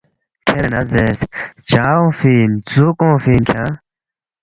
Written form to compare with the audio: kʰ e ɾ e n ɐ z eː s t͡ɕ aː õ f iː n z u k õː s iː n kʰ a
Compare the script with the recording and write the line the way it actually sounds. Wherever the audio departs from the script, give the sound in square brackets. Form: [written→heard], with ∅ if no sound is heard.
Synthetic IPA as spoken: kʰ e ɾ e n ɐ z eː s t͡ɕ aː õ f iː n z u k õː [s→f] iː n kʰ a

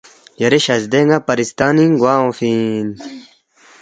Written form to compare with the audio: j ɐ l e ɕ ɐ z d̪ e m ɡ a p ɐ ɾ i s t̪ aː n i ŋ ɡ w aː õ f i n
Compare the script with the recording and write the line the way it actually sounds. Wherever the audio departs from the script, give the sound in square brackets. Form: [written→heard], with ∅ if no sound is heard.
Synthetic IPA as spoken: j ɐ [l→ɾ] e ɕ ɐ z d̪ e [m→ŋ] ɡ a p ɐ ɾ i s t̪ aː n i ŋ ɡ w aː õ f i n

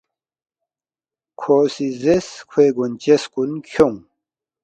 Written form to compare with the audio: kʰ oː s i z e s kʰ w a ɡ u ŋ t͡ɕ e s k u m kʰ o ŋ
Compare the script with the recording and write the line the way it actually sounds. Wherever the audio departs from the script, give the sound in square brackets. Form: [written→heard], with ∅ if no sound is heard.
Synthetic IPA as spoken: kʰ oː s i z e s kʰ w [a→e] ɡ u [ŋ→n] t͡ɕ e s k u [m→n] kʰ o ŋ

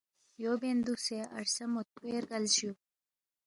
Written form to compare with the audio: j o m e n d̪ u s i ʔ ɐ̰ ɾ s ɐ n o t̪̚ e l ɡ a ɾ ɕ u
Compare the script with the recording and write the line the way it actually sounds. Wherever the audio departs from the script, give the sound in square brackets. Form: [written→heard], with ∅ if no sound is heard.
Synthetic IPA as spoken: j o [m→b] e n d̪ u s [i→e] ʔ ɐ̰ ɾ s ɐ [n→m] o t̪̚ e [l→ɾ] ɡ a [ɾ→l] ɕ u

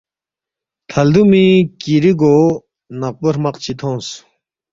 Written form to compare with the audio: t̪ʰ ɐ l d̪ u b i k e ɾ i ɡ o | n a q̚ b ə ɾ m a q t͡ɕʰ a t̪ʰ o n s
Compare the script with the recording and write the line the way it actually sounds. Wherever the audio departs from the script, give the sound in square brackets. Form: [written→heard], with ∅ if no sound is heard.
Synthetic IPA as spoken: t̪ʰ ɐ l d̪ u [b→m] i k [e→i] ɾ i ɡ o | n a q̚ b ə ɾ m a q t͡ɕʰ [a→i] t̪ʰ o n s

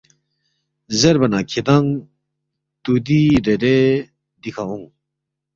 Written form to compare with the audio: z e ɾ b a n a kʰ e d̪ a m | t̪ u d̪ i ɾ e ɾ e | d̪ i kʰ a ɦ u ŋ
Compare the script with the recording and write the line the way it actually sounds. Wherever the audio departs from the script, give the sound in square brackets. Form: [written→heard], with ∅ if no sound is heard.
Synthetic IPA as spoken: z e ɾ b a n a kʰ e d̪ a [m→ŋ] | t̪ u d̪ i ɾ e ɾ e | d̪ i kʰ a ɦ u ŋ

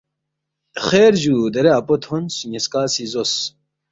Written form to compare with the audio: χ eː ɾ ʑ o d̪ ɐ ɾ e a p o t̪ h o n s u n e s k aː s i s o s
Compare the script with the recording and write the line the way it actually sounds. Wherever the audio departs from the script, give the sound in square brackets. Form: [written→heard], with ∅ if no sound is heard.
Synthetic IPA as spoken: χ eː ɾ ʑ [o→u] d̪ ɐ ɾ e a p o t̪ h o n s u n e s k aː s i [s→z] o s

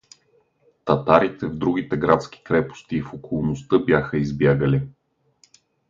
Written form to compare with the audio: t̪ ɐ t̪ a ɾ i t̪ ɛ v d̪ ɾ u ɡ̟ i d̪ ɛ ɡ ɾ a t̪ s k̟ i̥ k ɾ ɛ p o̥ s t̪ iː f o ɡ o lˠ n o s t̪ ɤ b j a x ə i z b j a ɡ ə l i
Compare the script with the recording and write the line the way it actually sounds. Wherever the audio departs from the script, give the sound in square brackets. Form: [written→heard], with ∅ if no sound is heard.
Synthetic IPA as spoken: t̪ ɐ t̪ a ɾ i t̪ ɛ v d̪ ɾ u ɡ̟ i [d̪→t̪] ɛ ɡ ɾ a t̪ s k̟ i̥ k ɾ ɛ p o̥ s t̪ iː f o [ɡ→k] o lˠ n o s t̪ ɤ b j a x ə i z b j a ɡ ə l i

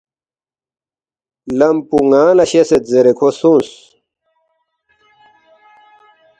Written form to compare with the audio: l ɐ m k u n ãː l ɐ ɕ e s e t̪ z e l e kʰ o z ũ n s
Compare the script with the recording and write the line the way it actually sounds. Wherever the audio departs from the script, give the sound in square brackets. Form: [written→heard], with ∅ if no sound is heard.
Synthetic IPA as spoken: l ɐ m [k→p] u [n→ŋ] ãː l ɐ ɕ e s e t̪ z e [l→ɾ] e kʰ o [z→s] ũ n s

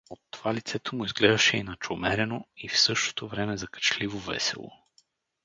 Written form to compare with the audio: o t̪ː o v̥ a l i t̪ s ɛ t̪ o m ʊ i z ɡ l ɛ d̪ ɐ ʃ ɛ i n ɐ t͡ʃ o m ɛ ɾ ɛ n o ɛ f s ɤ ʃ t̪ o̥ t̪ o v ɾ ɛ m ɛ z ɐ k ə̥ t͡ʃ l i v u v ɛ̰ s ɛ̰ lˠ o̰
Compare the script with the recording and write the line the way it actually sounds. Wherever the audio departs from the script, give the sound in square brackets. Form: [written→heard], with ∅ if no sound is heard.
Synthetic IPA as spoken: o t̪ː o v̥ a l i t̪ s ɛ t̪ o m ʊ i z ɡ l ɛ d̪ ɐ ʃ ɛ i n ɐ t͡ʃ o m ɛ ɾ ɛ n o [ɛ→i] f s ɤ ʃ t̪ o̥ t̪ o v ɾ ɛ m ɛ z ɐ k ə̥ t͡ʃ l i v [u→o] v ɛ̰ s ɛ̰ lˠ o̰

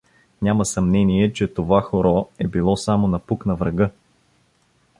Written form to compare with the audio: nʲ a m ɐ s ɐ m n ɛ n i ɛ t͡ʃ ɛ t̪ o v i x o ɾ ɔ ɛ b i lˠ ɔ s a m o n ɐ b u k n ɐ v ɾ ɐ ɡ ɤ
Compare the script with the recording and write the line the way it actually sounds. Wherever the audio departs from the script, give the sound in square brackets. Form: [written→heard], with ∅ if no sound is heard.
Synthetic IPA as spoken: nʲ a m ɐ s ɐ m n ɛ n i ɛ t͡ʃ ɛ t̪ o v [i→a] x o ɾ ɔ ɛ b i lˠ ɔ s a m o n ɐ [b→p] u k n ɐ v ɾ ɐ ɡ ɤ

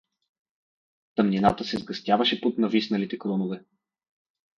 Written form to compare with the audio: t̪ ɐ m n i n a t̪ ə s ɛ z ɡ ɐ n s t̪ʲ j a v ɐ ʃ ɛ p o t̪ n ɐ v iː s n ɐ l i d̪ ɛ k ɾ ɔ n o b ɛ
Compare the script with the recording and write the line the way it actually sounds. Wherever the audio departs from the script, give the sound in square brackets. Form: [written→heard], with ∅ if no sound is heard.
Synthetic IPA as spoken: t̪ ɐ m n i n a t̪ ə s ɛ z ɡ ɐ [n→∅] s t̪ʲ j a v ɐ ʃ ɛ p o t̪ n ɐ v [iː→i] s n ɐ l i [d̪→t̪] ɛ k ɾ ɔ n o [b→v] ɛ

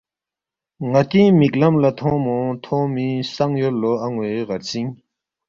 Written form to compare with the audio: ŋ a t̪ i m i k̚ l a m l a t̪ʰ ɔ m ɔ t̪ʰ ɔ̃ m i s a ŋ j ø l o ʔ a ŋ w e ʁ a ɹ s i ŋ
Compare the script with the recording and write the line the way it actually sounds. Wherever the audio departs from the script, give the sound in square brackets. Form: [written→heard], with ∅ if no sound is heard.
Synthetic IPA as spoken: ŋ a t̪ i m i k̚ l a m l a t̪ʰ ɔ m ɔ t̪ʰ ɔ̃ m i s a ŋ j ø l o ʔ a ŋ w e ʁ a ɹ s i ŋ

